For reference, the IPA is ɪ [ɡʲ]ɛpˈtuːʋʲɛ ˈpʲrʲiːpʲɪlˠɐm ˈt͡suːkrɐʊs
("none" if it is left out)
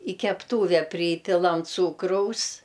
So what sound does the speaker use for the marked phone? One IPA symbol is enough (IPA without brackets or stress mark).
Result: kʲ